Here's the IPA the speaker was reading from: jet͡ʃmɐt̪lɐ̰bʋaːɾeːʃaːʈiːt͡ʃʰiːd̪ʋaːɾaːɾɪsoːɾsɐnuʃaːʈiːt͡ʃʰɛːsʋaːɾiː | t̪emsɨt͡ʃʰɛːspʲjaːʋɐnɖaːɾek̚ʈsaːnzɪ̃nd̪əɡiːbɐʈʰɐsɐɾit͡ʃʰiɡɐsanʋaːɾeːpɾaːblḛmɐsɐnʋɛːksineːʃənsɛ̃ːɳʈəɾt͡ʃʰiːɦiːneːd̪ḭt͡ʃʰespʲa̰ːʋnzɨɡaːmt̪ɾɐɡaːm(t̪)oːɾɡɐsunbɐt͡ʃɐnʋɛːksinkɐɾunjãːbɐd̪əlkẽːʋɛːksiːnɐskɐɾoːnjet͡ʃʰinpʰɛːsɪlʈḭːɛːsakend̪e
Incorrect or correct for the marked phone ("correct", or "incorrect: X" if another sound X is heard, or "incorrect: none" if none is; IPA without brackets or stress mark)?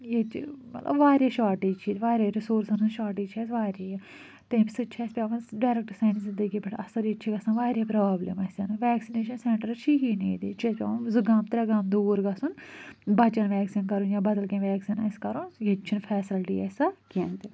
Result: incorrect: d̪